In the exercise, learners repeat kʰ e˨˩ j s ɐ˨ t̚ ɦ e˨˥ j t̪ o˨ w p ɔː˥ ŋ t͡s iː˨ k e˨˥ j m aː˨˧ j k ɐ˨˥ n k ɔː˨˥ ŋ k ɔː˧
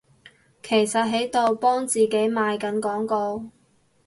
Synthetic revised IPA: kʰ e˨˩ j s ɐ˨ t̚ ɦ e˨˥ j t̪ o˨ w p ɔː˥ ŋ t͡s iː˨ k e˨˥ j m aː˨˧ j k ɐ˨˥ n k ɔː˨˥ ŋ k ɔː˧